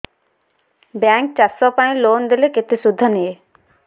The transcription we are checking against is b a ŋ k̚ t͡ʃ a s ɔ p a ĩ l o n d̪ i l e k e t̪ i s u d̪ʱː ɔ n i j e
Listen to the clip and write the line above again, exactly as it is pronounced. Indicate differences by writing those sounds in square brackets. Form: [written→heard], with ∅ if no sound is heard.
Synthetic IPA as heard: b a ŋ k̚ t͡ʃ a s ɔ p a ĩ l o n d̪ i l e k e t̪ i s u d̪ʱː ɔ n i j e